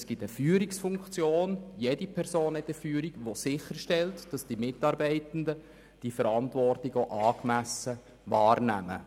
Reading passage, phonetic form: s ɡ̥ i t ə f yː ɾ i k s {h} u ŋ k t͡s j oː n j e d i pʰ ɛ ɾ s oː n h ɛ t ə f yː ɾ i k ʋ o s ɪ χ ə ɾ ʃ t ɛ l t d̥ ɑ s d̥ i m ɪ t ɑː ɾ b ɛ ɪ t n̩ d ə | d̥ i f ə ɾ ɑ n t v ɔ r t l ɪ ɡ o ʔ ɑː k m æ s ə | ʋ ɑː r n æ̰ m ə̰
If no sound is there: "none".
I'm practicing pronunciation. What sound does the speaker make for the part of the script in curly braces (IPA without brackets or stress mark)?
f